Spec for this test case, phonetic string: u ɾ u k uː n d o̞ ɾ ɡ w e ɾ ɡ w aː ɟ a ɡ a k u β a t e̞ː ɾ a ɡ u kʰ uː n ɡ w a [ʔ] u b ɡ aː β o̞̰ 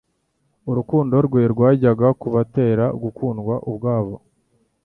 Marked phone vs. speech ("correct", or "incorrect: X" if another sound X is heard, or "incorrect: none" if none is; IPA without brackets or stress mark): correct